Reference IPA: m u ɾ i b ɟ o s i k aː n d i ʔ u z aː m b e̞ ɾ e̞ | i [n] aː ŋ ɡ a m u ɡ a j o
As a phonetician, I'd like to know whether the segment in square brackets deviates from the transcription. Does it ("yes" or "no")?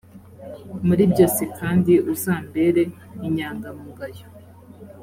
yes